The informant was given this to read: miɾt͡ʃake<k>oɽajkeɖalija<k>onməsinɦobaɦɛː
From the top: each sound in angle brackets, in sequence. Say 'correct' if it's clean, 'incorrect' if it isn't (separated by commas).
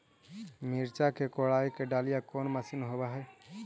correct, correct